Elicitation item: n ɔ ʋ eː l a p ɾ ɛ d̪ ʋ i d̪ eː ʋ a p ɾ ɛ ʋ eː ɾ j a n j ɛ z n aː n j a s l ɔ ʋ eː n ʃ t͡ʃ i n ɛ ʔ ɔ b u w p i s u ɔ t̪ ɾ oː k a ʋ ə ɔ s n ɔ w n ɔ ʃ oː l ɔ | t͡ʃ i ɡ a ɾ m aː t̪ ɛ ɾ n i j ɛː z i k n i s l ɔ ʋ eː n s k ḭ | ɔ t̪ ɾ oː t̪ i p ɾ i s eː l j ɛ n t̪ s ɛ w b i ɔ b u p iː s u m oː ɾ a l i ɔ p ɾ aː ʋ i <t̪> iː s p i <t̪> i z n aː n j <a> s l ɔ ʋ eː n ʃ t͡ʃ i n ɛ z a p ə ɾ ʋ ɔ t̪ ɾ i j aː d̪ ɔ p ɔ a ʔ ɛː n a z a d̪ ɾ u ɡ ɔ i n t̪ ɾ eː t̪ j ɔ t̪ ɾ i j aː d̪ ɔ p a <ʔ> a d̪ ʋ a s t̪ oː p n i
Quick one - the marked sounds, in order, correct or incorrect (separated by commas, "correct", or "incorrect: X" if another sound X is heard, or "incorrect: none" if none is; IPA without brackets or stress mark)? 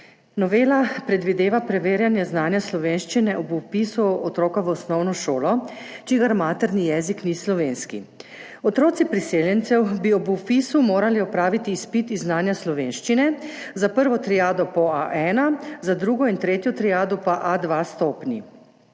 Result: correct, correct, correct, correct